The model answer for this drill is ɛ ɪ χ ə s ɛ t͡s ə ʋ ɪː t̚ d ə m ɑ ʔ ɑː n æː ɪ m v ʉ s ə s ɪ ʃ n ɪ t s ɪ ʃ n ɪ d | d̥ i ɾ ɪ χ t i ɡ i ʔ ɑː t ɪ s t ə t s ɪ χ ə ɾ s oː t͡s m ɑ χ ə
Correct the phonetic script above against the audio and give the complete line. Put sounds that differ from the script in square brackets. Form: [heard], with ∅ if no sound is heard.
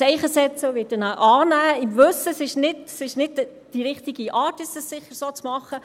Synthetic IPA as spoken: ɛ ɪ χ ə s ɛ t͡s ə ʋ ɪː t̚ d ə [n] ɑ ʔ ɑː n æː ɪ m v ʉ s ə s ɪ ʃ n ɪ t s ɪ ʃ n ɪ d | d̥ i ɾ ɪ χ t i ɡ i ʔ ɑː t ɪ s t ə [s] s ɪ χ ə ɾ s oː t͡s m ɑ χ ə